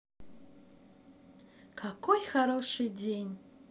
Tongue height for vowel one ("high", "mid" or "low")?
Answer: low